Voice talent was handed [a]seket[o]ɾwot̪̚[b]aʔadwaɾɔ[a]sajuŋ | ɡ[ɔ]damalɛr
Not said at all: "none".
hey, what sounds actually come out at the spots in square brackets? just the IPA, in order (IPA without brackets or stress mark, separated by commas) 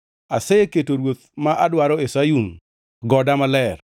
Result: a, o, m, e, ɔ